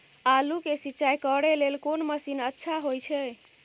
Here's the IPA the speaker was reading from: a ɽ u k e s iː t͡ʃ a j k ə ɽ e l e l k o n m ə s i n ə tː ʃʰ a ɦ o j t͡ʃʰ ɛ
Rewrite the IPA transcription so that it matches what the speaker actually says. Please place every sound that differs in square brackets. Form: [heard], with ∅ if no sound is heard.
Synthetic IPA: a [l] u k e s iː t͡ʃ a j k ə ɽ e l e l k o n m ə s i n ə tː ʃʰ a ɦ o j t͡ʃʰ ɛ